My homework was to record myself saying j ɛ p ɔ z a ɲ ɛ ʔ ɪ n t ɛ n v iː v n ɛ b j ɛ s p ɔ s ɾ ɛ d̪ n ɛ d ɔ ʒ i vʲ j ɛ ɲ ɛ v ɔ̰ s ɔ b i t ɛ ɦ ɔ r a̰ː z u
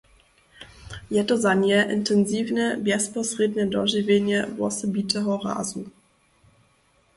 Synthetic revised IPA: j ɛ t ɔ z a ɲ ɛ ʔ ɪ n t ɛ n z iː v n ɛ b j ɛ s p ɔ s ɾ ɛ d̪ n ɛ d ɔ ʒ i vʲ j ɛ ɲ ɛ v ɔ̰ s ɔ b i t ɛ ɦ ɔ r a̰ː z u